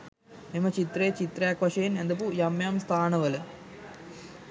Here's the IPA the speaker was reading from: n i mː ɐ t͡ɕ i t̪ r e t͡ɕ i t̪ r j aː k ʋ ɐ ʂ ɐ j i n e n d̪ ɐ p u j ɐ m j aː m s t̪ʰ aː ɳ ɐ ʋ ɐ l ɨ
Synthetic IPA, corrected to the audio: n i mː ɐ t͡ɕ i t̪ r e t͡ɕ i t̪ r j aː k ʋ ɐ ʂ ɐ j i n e n d̪ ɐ p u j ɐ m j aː m s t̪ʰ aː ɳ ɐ ʋ ɐ l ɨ